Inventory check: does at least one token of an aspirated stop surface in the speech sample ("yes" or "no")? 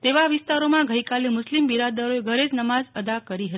no